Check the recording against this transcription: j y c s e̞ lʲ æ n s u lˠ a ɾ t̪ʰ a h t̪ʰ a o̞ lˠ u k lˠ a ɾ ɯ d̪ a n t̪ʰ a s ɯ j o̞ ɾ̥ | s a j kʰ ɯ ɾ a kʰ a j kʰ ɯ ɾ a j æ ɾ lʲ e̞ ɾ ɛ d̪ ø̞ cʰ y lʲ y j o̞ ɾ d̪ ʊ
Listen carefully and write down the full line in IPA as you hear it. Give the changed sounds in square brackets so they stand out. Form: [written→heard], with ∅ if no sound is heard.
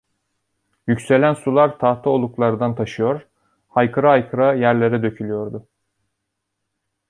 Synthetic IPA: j y c s e̞ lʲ æ n s u lˠ a ɾ t̪ʰ a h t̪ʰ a o̞ lˠ u k lˠ a ɾ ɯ d̪ a n t̪ʰ a [s→ʃ] ɯ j o̞ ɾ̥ | [s→h] a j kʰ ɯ ɾ a [kʰ→∅] a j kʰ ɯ ɾ a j æ ɾ lʲ e̞ ɾ ɛ d̪ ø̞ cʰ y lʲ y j o̞ ɾ d̪ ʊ

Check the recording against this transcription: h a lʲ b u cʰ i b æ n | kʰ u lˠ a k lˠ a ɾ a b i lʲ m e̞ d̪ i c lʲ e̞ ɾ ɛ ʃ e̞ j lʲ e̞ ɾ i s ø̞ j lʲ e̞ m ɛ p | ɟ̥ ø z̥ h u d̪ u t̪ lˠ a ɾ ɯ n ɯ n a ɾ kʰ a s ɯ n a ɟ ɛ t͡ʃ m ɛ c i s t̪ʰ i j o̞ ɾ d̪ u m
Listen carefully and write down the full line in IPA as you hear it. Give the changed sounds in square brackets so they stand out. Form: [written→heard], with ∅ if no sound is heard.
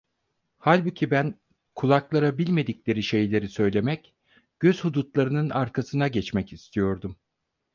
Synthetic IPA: h a lʲ b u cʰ i b æ n | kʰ u lˠ a k lˠ a ɾ a b i lʲ m e̞ d̪ i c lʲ e̞ ɾ [ɛ→i] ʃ e̞ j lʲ e̞ ɾ i s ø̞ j lʲ e̞ m ɛ [p→c] | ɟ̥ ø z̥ h u d̪ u t̪ lˠ a ɾ ɯ n ɯ n a ɾ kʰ a s ɯ n a ɟ ɛ t͡ʃ m ɛ c i s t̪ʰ i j o̞ ɾ d̪ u m

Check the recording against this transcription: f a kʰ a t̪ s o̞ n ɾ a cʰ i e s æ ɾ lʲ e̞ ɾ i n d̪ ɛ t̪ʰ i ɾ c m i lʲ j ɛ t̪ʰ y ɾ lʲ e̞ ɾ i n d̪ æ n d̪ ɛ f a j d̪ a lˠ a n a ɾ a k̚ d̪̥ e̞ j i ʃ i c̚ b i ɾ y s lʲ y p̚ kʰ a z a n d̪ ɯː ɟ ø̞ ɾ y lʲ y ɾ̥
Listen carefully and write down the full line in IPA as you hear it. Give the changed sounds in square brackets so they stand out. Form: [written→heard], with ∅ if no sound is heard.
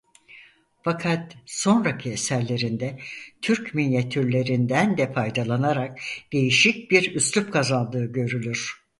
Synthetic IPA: f a kʰ a t̪ s o̞ n ɾ a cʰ i e s æ ɾ lʲ e̞ ɾ i n d̪ ɛ t̪ʰ [i→y] ɾ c m i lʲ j [ɛ→a] t̪ʰ y ɾ lʲ e̞ ɾ i n d̪ æ n d̪ ɛ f a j d̪ a lˠ a n a ɾ a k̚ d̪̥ e̞ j i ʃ i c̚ b i ɾ y s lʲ y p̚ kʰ a z a n d̪ ɯː ɟ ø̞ ɾ y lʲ y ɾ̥

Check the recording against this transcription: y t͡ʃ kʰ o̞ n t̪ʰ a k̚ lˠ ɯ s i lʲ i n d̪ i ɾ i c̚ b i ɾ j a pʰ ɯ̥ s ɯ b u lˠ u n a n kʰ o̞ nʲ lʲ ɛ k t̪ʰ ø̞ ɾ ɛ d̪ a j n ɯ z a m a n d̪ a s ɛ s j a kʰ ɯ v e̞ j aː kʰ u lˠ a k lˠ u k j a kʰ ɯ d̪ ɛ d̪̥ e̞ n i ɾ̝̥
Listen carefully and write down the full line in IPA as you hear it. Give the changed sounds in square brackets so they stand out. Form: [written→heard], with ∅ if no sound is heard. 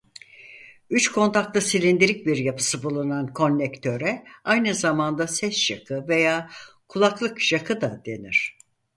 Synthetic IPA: y t͡ʃ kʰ o̞ n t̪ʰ a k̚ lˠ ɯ s i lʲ i n d̪ i ɾ i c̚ b i ɾ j a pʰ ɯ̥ s ɯ b u lˠ u n a n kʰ o̞ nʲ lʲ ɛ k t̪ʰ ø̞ ɾ ɛ [d̪→∅] a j n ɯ z a m a n d̪ a s ɛ s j a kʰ ɯ v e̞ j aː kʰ u lˠ a k lˠ [u→ɯ] k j a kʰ ɯ d̪ [ɛ→a] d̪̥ e̞ n i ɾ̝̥

